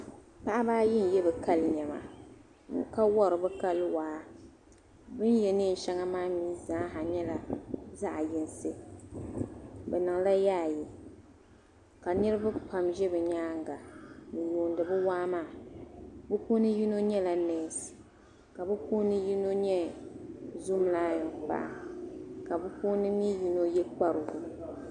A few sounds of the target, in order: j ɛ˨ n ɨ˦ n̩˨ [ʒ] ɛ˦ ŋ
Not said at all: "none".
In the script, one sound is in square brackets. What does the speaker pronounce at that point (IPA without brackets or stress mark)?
ʃ